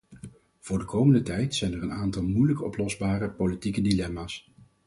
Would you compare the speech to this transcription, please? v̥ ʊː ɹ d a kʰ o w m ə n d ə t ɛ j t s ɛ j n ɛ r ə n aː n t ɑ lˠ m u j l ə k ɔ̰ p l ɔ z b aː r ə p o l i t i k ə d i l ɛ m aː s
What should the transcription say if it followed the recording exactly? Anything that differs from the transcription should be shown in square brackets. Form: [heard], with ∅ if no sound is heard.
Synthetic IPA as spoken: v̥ ʊː ɹ d [ə] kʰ o w m ə n d ə t ɛ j t s ɛ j n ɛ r ə n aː n t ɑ lˠ m u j l ə k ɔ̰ p l ɔ z b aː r ə p o l i t i k ə d i l ɛ m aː s